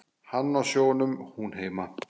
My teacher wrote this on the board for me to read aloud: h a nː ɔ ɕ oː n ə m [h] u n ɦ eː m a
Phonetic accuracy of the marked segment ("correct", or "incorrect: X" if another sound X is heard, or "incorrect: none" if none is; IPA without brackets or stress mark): correct